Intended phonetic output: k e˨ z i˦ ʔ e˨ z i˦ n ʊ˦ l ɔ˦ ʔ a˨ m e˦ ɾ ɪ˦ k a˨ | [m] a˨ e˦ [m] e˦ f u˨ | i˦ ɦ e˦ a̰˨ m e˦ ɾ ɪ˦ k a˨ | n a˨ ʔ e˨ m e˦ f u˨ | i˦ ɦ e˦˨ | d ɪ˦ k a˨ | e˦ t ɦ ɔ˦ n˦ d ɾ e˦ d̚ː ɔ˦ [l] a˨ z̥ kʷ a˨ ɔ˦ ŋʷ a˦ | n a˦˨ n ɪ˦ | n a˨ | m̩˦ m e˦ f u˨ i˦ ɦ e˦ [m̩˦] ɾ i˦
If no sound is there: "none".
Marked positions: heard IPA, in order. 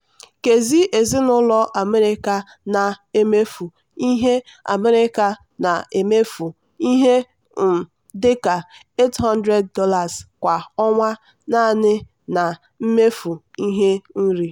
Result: n, m, l, n̩˦

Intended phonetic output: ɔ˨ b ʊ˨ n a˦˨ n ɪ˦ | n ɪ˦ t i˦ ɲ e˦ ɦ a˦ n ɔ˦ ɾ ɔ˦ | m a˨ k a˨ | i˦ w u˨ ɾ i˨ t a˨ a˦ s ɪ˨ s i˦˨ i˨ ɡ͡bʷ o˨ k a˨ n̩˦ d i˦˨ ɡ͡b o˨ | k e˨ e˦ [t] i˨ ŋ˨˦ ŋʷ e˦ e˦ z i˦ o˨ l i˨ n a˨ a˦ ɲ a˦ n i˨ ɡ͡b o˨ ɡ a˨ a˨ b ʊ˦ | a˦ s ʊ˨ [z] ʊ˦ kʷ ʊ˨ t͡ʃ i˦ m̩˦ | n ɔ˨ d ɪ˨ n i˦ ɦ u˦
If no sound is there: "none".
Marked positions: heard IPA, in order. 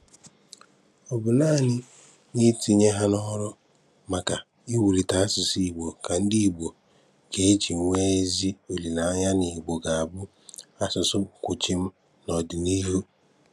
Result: t͡ʃ, s

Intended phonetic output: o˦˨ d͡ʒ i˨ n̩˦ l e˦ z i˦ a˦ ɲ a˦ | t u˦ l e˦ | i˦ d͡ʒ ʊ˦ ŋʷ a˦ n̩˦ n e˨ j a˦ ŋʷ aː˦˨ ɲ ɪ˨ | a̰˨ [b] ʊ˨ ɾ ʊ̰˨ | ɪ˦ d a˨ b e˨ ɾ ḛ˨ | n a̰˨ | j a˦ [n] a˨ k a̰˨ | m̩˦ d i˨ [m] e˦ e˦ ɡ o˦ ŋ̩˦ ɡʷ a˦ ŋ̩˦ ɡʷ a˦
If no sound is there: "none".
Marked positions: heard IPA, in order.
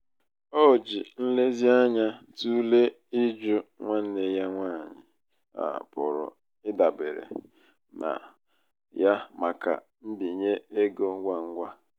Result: p, m, ɲ

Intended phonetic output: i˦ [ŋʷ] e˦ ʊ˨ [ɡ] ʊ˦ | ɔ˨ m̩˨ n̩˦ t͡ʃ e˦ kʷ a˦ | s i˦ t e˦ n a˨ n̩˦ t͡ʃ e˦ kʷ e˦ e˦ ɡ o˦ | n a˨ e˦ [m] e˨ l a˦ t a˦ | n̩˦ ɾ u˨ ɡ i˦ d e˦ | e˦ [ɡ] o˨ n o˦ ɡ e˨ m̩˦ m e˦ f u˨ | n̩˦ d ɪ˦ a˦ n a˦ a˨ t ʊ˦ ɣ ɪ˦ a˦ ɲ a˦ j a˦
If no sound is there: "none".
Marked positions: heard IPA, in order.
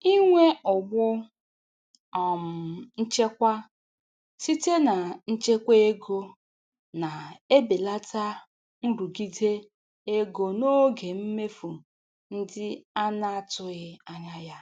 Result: ŋʷ, ɡ͡b, b, ɡ

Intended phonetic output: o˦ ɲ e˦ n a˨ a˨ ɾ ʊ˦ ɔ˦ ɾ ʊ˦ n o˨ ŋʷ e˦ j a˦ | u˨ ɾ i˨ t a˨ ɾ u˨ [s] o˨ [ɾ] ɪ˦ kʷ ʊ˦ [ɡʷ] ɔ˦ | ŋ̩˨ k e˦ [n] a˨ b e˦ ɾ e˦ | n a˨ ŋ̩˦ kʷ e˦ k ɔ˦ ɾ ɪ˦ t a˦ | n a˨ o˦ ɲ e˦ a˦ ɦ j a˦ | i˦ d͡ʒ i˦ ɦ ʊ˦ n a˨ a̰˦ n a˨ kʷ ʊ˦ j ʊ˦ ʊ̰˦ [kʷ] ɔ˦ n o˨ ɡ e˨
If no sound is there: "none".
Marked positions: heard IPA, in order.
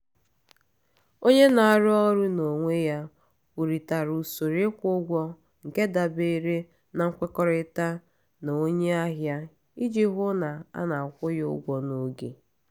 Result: s, ɾ, ɡʷ, d, ɡʷ

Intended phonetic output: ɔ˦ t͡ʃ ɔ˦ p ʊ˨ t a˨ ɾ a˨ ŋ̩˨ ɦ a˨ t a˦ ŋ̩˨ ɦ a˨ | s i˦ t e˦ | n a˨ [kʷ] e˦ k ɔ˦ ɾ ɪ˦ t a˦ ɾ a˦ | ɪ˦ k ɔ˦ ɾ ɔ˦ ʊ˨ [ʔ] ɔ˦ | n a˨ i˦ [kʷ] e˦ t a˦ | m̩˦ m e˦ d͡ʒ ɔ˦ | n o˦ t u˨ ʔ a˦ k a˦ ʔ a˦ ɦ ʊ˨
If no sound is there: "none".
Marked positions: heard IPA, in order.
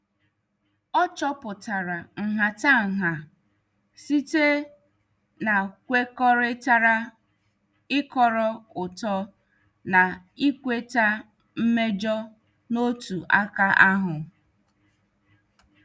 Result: kʷ, t, kʷ

